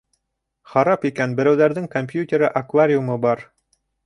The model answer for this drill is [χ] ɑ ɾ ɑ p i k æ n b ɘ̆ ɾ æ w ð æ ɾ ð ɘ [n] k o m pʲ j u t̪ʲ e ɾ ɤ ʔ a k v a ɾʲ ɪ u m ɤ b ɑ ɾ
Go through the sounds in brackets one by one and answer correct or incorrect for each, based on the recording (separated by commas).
correct, incorrect